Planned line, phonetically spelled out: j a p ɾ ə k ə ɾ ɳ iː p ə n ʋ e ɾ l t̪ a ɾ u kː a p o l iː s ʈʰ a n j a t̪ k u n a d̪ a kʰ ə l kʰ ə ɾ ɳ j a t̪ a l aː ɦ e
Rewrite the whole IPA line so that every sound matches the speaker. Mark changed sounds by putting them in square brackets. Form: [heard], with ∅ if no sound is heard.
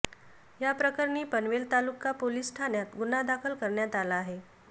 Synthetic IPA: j a p ɾ ə k ə ɾ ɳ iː p ə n ʋ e [∅] l t̪ a [l] u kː a p o l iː s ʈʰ a n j a t̪ [ɡ] u n a d̪ a kʰ ə l [k] ə ɾ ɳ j a t̪ a l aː ɦ e